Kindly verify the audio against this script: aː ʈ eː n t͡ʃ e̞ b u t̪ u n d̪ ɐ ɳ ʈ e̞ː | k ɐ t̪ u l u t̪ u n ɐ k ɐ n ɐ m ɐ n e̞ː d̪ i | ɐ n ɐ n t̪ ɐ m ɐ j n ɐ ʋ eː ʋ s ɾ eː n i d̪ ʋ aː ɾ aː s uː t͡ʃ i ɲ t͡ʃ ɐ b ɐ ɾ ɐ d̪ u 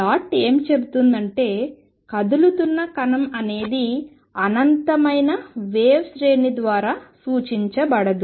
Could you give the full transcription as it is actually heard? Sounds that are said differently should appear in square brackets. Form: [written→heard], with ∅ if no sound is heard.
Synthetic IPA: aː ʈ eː [n→m] t͡ʃ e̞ b u t̪ u n d̪ ɐ ɳ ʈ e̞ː | k ɐ [t̪→d̪] u l u t̪ u [n→nː] ɐ k ɐ n ɐ m ɐ n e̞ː d̪ i | ɐ n ɐ n t̪ ɐ m ɐ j n ɐ ʋ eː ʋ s ɾ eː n i d̪ ʋ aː ɾ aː s uː t͡ʃ i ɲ t͡ʃ ɐ b ɐ [ɾ→ɽ] ɐ d̪ u

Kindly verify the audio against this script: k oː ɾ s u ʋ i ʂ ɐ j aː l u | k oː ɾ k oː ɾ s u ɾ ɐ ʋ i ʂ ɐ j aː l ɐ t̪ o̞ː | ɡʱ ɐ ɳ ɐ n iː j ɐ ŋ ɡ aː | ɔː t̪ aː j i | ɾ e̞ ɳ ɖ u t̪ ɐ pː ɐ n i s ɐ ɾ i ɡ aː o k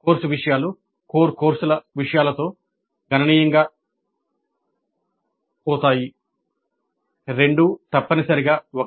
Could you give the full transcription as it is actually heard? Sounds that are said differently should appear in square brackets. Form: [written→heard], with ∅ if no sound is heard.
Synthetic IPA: k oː ɾ s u ʋ i ʂ ɐ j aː l u | k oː ɾ k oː ɾ s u [ɾ→l] ɐ ʋ i ʂ ɐ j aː l ɐ t̪ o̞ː | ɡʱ ɐ [ɳ→n] ɐ n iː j ɐ ŋ ɡ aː | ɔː t̪ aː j i | ɾ e̞ ɳ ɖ u t̪ ɐ pː ɐ n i s ɐ ɾ i ɡ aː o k

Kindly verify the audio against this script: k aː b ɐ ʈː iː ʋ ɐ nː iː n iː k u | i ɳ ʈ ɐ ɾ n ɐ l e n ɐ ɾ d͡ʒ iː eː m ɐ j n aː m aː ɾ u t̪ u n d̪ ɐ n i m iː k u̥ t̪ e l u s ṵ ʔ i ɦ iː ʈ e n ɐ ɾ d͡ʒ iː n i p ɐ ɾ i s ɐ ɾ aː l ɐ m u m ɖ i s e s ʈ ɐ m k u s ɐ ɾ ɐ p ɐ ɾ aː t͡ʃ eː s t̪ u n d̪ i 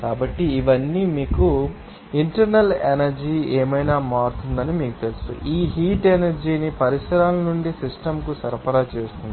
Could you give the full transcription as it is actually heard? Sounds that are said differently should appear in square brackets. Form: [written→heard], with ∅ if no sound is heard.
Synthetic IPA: k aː b ɐ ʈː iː ʋ ɐ nː iː [n→m] iː k u | i ɳ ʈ ɐ ɾ n ɐ l e n ɐ ɾ d͡ʒ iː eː m ɐ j n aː m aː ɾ u t̪ u n d̪ ɐ n i m iː k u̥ t̪ e l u s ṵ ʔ [i→iː] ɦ iː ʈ e n ɐ ɾ d͡ʒ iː n i p ɐ ɾ i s ɐ ɾ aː l ɐ [m→n] u [m→ɳ] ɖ i s [e→i] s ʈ ɐ m k u s ɐ ɾ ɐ p ɐ ɾ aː t͡ʃ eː s t̪ u n d̪ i

